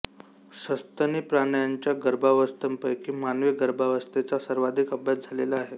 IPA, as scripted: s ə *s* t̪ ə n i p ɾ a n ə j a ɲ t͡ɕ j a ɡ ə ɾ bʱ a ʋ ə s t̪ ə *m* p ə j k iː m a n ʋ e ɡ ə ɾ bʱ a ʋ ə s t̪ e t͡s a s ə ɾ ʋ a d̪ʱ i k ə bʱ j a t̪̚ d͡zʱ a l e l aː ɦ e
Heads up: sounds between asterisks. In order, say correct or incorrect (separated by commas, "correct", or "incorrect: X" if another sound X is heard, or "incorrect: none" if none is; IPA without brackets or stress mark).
correct, correct